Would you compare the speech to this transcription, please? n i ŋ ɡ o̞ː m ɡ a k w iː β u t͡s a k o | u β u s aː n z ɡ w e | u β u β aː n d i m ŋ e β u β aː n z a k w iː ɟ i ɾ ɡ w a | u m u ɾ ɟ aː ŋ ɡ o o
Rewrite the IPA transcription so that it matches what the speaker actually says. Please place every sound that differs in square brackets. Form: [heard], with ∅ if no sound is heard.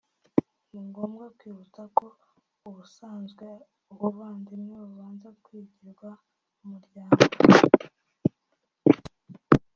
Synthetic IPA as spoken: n i ŋ ɡ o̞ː m ɡ a k w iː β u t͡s a k o | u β u s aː n z ɡ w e | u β u β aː n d i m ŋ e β u β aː n z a k w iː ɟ i ɾ ɡ w a | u m u ɾ ɟ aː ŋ ɡ o o